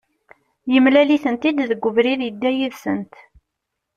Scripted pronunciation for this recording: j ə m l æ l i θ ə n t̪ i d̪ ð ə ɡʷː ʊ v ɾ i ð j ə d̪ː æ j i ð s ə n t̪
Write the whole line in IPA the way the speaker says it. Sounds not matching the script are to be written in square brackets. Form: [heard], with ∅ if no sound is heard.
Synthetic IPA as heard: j ə m l æ l i θ ə n t̪ i d̪ ð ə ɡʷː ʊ v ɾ i ð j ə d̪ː æ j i ð s ə n t̪